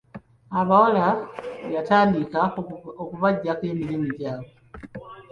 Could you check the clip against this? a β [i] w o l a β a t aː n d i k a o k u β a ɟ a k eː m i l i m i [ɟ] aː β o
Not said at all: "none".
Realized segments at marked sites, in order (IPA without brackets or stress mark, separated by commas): a, ɟ